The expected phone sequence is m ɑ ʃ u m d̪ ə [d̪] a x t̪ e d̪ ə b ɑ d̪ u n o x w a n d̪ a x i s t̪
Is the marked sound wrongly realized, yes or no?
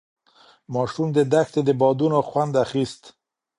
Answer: no